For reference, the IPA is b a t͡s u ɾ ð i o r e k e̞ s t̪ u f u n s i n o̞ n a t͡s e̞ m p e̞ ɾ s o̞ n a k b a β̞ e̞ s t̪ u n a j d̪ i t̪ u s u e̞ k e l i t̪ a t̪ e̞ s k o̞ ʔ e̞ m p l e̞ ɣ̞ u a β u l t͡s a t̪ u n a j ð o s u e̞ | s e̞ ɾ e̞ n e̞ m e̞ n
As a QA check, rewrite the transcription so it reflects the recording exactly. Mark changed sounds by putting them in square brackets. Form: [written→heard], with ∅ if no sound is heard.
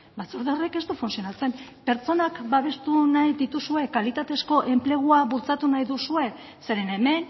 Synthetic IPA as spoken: b a t͡s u ɾ ð [i→e] o r e k e̞ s t̪ u f u n s i [n→∅] o̞ n a t͡s e̞ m p e̞ ɾ [s→t͡s] o̞ n a k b a β̞ e̞ s t̪ u n a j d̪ i t̪ u s u e̞ k [e→a] l i t̪ a t̪ e̞ s k o̞ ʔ e̞ m p l e̞ ɣ̞ u a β u l t͡s a t̪ u n a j ð [o→u] s u e̞ | s e̞ ɾ e̞ n e̞ m e̞ n